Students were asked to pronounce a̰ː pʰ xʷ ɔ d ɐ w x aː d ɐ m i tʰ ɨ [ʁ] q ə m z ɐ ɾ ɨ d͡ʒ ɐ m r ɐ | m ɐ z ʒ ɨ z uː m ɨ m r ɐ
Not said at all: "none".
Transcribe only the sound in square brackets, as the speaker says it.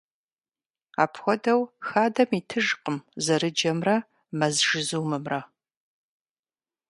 ʒ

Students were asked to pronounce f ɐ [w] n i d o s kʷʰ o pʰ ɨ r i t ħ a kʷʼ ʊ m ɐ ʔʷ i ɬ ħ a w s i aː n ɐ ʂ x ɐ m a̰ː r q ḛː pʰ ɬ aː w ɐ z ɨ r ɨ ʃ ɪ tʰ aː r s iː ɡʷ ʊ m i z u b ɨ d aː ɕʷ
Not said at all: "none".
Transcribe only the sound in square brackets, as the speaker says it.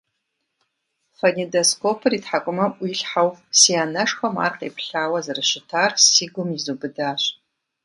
none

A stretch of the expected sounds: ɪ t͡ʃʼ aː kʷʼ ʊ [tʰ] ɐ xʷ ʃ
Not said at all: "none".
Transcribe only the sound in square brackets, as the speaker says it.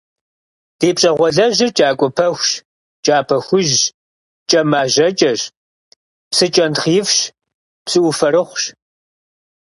pʰ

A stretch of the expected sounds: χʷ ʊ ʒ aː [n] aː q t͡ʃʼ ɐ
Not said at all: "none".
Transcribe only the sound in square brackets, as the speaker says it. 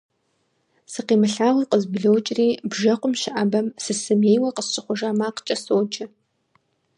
m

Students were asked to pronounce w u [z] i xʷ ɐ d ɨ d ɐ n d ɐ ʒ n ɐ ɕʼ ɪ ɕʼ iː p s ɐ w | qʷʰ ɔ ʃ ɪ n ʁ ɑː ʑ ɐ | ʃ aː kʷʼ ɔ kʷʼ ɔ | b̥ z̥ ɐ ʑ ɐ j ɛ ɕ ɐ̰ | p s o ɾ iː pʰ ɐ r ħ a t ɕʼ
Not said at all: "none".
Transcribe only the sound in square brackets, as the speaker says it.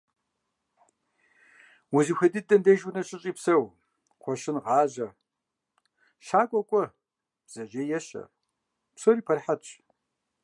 z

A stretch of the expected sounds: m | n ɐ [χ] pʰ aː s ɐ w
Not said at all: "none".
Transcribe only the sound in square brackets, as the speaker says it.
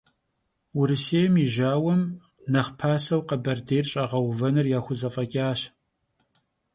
χ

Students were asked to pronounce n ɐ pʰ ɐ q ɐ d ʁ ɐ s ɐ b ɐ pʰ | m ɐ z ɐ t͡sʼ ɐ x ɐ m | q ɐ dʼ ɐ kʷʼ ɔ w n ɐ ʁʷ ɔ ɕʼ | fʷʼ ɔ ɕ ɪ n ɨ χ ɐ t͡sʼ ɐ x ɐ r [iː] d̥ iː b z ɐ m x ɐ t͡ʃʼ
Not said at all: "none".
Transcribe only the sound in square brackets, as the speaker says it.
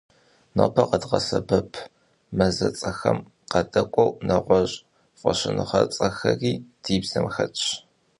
iː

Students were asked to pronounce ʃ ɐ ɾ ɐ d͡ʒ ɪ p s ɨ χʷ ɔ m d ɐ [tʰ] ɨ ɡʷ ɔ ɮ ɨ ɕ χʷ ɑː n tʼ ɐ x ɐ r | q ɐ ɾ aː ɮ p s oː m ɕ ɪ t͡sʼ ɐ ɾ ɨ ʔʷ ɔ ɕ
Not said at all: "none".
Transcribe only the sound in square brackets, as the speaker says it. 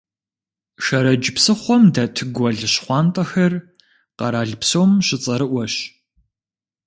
tʰ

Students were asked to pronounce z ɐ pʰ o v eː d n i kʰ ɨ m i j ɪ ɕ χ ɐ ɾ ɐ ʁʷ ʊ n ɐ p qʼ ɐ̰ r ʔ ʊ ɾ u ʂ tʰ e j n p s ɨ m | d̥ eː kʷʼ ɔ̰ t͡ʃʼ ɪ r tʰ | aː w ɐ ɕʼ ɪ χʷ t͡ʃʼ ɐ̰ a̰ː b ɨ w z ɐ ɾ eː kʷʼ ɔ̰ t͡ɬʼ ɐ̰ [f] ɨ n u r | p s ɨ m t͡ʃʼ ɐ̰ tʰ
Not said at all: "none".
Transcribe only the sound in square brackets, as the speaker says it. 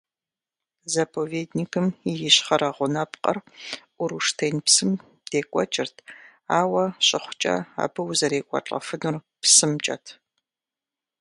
f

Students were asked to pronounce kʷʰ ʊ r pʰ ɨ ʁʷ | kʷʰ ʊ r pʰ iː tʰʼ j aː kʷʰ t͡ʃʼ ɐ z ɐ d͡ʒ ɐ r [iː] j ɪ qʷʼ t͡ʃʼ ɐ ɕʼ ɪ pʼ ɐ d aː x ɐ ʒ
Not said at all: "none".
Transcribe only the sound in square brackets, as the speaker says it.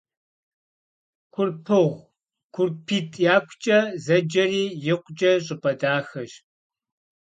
iː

